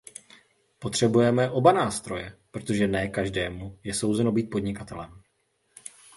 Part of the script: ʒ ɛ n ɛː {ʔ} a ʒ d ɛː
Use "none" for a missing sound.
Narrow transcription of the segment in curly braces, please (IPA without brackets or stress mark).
k